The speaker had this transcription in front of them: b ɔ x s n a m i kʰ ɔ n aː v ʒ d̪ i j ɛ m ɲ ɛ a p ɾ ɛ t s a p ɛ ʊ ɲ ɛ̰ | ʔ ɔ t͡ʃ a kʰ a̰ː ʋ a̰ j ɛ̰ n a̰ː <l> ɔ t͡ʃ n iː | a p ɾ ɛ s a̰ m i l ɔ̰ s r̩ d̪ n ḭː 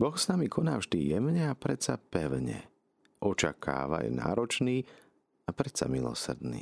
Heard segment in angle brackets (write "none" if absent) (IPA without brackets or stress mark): ɾ